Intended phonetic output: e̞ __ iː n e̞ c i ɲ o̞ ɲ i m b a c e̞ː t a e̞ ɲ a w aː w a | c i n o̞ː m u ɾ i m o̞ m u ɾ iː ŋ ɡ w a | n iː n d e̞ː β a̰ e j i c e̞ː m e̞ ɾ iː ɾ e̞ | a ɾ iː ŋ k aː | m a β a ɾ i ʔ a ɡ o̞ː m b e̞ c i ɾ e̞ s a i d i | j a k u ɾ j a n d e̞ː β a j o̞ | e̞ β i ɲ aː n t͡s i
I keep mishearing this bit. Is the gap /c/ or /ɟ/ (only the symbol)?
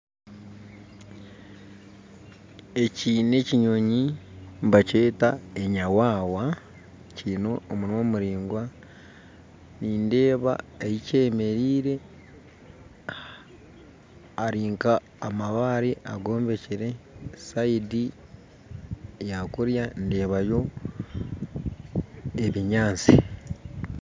c